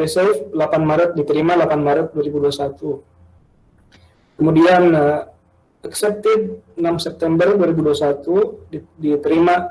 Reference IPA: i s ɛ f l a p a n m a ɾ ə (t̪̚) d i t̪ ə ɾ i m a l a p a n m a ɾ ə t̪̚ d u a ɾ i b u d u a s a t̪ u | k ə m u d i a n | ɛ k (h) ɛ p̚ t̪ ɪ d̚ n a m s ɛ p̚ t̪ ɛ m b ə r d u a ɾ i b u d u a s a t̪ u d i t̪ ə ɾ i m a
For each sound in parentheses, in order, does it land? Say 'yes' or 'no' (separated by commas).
yes, no